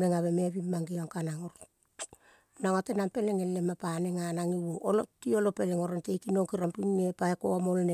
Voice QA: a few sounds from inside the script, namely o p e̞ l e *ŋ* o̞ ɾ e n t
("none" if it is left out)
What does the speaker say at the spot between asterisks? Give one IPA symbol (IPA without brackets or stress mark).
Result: ŋ